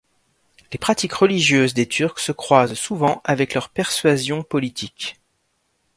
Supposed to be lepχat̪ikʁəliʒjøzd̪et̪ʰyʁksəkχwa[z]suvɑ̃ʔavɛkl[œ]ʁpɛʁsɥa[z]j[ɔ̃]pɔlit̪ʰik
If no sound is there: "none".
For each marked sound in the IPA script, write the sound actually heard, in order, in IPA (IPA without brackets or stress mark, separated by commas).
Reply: z, œ, z, ɔ̃